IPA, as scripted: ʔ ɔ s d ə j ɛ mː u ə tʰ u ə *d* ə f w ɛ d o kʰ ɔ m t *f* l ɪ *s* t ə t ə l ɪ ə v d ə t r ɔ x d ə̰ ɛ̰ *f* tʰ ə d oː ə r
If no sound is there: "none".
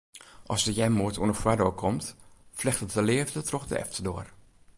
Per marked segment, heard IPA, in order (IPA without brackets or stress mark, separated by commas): n, f, x, f